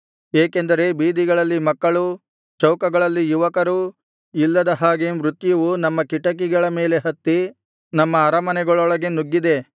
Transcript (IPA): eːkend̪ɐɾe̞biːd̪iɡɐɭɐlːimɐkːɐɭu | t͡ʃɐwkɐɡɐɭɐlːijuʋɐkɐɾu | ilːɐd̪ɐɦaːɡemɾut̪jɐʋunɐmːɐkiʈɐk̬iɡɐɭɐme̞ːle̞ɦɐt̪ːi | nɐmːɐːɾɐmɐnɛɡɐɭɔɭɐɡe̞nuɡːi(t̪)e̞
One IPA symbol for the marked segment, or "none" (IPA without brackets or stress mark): d̪